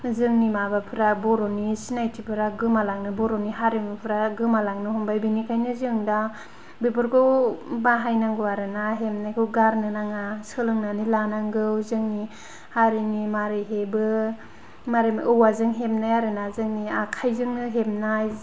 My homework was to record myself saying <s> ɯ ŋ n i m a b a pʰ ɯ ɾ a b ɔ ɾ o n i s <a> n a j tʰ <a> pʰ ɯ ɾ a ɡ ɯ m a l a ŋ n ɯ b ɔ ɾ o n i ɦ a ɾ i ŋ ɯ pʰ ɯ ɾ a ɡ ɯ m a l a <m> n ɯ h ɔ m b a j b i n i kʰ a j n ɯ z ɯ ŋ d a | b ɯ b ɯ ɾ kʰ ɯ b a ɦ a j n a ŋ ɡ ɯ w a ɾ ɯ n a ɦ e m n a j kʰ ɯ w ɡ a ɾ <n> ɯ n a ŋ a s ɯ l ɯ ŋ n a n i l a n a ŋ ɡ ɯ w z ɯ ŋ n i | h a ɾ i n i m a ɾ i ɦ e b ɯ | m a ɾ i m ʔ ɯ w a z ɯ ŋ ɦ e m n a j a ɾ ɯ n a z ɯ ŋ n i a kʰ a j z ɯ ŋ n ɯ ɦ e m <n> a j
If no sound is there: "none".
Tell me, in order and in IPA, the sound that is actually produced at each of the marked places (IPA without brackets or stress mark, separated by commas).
z, i, i, ŋ, n, n